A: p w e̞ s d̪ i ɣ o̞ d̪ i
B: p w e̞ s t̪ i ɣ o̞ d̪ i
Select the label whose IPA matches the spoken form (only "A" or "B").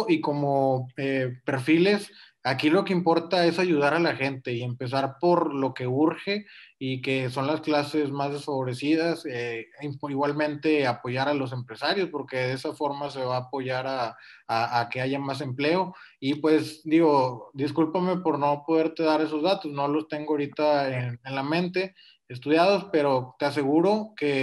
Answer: A